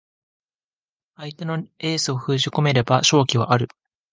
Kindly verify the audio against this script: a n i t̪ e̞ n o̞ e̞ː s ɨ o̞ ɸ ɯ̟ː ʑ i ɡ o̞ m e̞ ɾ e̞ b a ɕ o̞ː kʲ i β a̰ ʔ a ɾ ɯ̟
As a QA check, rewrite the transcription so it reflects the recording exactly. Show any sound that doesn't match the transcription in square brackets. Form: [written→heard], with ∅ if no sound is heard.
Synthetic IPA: a [n→∅] i t̪ e̞ n o̞ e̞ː s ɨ o̞ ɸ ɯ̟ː ʑ i [ɡ→k] o̞ m e̞ ɾ e̞ b a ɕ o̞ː kʲ i β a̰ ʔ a ɾ ɯ̟